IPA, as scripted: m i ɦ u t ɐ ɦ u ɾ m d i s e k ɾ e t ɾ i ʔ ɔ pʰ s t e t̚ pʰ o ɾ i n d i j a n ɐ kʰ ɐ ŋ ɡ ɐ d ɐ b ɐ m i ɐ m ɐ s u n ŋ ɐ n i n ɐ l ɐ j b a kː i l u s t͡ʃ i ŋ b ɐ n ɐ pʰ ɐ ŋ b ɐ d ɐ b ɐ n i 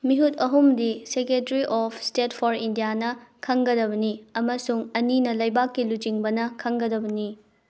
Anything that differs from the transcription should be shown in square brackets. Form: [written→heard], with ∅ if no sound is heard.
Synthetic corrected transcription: m i ɦ u t ɐ ɦ u [ɾ→∅] m d i s e k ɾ e t ɾ i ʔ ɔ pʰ s t e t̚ pʰ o ɾ i n d i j a n ɐ kʰ ɐ ŋ ɡ ɐ d ɐ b ɐ [m→n] i ɐ m ɐ s u [n→∅] ŋ ɐ n i n ɐ l ɐ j b a kː i l u [s→∅] t͡ʃ i ŋ b ɐ n ɐ [pʰ→kʰ] ɐ ŋ [b→ɡ] ɐ d ɐ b ɐ n i